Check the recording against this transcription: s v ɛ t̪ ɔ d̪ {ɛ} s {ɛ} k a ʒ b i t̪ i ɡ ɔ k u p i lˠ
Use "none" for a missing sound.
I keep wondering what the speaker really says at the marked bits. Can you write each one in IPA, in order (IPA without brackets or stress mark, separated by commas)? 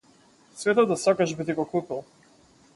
a, a